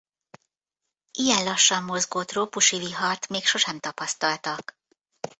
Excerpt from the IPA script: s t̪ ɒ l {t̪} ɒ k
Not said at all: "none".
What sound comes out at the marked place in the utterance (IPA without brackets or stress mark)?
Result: t̪